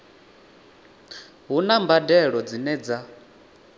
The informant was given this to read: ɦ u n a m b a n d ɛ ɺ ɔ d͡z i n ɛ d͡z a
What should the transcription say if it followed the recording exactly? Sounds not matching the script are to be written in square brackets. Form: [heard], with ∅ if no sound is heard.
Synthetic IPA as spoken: ɦ u n a m b a [∅] d ɛ ɺ ɔ d͡z i n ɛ d͡z a